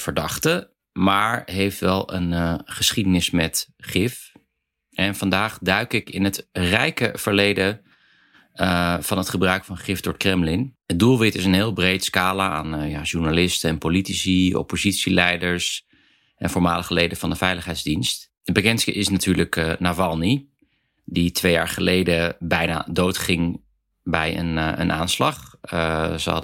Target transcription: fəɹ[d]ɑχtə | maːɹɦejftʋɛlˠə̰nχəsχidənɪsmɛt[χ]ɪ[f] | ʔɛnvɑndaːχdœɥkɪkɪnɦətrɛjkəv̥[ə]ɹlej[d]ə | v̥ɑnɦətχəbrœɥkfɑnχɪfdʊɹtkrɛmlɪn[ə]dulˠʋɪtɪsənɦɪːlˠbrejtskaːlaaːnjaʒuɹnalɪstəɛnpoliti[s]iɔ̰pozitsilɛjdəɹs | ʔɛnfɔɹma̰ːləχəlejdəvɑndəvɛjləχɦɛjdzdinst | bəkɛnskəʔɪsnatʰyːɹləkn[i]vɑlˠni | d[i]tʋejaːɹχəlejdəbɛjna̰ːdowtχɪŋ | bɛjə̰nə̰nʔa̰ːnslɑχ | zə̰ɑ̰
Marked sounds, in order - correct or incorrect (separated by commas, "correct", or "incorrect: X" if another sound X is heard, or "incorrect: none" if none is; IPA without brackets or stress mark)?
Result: correct, correct, correct, correct, correct, correct, correct, incorrect: a, correct